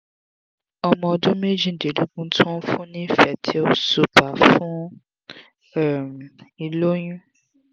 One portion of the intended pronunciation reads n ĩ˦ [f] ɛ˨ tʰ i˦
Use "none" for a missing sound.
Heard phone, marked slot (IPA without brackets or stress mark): f